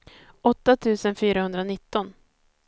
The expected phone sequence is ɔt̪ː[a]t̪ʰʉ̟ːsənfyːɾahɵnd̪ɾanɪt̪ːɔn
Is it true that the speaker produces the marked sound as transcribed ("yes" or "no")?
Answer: yes